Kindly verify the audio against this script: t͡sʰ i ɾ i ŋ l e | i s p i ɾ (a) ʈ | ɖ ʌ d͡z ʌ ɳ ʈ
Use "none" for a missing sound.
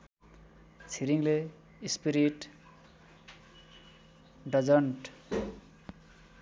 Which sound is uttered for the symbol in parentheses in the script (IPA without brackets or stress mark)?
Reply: i